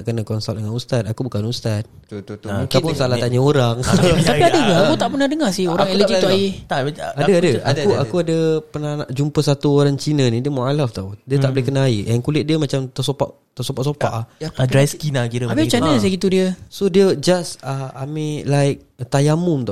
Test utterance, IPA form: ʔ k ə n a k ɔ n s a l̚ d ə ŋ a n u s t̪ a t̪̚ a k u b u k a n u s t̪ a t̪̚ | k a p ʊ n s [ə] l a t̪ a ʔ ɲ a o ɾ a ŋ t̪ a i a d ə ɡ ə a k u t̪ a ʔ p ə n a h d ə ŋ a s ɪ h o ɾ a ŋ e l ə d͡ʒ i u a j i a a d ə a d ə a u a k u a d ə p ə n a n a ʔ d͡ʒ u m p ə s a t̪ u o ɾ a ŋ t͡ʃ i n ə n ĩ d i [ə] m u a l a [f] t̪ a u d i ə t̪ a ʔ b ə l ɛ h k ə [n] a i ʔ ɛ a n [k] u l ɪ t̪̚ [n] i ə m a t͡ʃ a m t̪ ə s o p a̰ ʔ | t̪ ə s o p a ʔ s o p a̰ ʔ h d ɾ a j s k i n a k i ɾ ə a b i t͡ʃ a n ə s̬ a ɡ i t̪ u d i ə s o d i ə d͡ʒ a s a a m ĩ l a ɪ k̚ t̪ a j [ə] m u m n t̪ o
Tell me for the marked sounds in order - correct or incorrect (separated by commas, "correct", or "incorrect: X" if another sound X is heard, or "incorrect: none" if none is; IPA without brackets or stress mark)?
incorrect: a, correct, correct, correct, correct, incorrect: d, incorrect: a